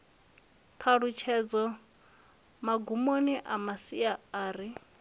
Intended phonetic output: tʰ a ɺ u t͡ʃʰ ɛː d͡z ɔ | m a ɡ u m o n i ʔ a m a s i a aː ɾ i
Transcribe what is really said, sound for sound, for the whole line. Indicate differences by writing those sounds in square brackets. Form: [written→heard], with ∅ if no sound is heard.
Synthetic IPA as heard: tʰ a ɺ u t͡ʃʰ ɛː d͡z ɔ | m a ɡ u m o n i ʔ a m a s i a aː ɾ i